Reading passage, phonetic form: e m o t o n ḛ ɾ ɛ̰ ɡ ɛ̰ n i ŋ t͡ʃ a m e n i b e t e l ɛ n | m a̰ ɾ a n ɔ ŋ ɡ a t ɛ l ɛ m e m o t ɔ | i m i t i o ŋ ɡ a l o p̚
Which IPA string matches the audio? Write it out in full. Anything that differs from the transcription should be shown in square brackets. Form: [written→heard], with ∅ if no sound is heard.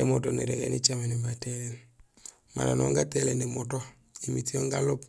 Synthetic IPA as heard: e m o t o n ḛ ɾ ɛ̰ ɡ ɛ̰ n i [ŋ→∅] t͡ʃ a m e n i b [e→a] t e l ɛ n | m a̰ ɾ a n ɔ ŋ ɡ a t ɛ l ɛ [m→n] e m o t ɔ | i m i t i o ŋ ɡ a l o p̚